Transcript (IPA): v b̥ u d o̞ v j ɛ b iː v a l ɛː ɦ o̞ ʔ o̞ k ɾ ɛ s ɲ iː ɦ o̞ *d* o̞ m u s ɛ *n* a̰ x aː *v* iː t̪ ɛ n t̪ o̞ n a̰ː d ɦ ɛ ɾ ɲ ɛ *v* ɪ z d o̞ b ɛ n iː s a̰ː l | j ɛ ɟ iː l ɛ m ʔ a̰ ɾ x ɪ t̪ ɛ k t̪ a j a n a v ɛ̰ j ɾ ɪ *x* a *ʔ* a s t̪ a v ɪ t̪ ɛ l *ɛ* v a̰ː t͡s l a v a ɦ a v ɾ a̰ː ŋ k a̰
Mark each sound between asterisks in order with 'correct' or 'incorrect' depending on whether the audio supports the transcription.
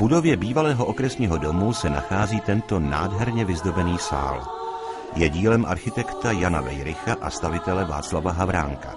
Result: correct, correct, incorrect: z, correct, correct, correct, correct

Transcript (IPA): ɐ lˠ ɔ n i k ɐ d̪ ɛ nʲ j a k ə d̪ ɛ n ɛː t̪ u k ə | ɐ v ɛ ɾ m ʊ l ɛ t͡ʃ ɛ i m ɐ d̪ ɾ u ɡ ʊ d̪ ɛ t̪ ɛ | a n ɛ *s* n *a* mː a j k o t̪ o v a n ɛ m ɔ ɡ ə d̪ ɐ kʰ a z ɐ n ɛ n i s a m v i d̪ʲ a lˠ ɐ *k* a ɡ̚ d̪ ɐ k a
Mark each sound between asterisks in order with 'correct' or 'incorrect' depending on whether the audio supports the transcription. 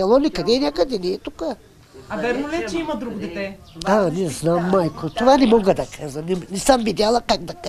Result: incorrect: z, correct, correct

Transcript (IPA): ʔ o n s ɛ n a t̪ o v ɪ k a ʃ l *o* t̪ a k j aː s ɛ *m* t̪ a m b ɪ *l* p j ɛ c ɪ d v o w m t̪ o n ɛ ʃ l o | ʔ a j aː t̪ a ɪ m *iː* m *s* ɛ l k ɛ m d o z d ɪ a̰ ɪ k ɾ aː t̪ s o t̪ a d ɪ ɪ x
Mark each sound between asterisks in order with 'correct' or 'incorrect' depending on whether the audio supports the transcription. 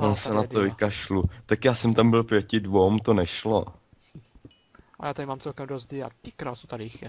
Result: incorrect: u, correct, correct, incorrect: aː, incorrect: t͡s

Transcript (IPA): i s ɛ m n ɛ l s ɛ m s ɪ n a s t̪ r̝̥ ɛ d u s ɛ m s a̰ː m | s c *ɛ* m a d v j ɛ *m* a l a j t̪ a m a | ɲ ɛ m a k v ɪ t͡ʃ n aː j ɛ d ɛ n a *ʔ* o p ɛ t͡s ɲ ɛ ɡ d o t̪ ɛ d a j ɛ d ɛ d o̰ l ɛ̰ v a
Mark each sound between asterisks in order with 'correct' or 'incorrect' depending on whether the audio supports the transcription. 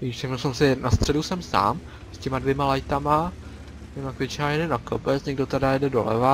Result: correct, correct, incorrect: k

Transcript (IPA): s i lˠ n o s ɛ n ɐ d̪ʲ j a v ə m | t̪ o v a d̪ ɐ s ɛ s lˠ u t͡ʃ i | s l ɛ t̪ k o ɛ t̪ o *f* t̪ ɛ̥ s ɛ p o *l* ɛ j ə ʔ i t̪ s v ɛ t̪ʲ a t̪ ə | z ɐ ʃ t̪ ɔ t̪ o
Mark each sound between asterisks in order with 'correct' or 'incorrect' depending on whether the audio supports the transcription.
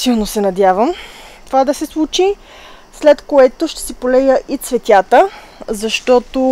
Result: incorrect: ʃ, correct

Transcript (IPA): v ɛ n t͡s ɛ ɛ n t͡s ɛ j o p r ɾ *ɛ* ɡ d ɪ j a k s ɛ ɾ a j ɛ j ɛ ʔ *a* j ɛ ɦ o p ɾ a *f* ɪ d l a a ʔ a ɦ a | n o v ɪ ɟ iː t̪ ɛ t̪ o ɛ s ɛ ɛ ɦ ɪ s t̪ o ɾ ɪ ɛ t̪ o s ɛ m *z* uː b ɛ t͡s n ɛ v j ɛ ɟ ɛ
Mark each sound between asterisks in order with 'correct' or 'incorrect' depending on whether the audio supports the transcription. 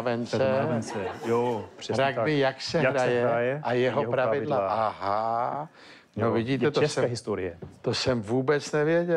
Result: incorrect: a, correct, incorrect: v, incorrect: v

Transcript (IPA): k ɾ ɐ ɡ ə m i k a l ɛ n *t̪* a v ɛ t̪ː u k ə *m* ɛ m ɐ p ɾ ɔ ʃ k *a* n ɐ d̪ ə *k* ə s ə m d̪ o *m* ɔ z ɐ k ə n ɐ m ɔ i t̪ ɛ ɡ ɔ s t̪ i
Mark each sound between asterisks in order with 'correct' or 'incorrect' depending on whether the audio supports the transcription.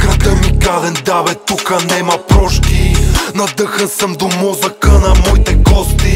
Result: incorrect: d̪, incorrect: n, incorrect: i, incorrect: x, correct

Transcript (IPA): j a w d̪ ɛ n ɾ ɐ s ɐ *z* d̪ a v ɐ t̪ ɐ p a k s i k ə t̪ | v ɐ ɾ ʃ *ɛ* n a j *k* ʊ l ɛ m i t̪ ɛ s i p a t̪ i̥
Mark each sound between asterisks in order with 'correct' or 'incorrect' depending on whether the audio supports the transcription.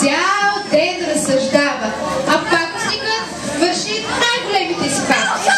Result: incorrect: ʒ, incorrect: i, incorrect: ɡ

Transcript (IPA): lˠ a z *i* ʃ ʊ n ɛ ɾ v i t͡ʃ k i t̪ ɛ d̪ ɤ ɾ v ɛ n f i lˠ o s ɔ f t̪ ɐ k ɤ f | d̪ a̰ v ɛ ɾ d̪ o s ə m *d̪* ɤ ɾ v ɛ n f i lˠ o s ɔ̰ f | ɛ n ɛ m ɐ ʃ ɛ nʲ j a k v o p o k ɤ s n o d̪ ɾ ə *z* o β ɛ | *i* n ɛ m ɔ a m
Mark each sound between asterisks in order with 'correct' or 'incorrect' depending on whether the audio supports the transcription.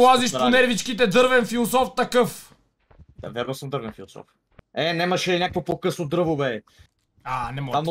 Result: correct, correct, incorrect: v, incorrect: a

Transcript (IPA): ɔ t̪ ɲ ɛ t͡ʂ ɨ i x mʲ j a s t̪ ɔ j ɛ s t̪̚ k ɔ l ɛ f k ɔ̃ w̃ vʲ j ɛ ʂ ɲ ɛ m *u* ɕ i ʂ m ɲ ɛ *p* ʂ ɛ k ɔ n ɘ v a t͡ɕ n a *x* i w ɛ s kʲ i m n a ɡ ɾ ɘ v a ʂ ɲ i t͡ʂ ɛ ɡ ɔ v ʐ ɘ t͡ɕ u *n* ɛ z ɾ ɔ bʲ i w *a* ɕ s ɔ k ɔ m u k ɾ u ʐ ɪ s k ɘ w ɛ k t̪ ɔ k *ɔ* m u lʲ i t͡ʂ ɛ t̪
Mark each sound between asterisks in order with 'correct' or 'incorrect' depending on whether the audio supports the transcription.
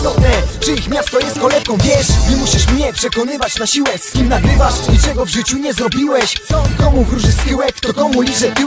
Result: correct, correct, incorrect: ɕ, incorrect: ɲ, incorrect: ɛ, correct

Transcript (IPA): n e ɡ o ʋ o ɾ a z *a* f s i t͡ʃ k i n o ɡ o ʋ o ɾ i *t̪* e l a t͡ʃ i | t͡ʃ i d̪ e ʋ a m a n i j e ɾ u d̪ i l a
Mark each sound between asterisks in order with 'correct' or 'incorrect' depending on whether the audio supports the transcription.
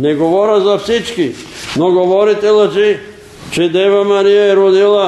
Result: correct, correct

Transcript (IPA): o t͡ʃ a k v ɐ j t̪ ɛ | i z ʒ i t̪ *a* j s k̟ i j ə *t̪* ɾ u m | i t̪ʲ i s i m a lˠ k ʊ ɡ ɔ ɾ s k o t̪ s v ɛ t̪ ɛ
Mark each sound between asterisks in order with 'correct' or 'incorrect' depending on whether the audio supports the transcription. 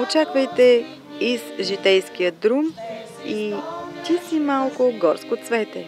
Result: incorrect: ɛ, incorrect: d̪

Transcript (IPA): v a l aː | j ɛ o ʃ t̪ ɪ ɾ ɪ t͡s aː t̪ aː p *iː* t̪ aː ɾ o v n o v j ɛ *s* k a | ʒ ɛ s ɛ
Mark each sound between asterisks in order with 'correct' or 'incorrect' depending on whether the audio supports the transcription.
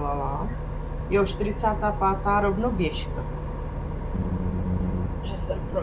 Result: incorrect: aː, incorrect: ʃ

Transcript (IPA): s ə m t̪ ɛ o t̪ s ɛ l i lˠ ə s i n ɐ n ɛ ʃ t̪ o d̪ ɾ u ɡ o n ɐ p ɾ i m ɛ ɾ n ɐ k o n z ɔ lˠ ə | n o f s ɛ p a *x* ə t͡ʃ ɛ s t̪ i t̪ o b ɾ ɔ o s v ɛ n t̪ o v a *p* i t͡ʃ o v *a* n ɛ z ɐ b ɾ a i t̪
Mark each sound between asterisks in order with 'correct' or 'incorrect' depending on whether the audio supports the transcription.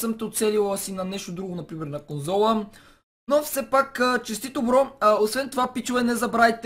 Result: incorrect: k, correct, incorrect: ɛ

